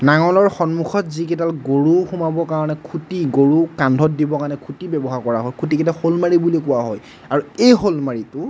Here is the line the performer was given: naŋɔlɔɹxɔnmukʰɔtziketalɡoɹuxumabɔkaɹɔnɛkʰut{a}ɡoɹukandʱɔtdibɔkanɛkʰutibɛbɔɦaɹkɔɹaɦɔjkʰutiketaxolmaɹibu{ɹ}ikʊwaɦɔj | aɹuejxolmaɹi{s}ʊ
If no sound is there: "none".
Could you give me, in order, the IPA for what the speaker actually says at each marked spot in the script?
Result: i, l, t

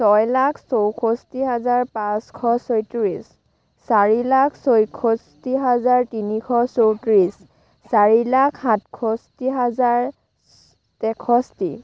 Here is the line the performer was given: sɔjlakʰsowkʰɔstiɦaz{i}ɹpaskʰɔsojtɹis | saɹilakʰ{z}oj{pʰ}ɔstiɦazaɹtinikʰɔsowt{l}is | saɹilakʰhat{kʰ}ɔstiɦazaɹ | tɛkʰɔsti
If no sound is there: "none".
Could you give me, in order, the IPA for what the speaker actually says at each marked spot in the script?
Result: a, s, kʰ, ɹ, kʰ

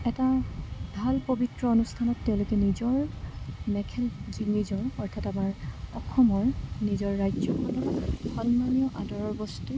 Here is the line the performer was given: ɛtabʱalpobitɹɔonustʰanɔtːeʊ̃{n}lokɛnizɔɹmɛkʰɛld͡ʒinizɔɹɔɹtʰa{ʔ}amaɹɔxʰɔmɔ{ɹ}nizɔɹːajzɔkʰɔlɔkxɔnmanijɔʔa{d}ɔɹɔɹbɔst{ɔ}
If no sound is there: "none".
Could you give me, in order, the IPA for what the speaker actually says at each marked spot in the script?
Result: none, t, ɹ, d, u

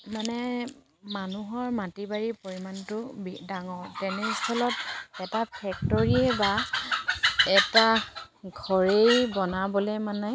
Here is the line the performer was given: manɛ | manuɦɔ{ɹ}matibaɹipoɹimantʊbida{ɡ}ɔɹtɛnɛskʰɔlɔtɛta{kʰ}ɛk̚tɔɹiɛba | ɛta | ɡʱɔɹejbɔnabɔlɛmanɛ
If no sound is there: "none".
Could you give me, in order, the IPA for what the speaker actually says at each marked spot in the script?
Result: ɹ, ŋ, pʰ

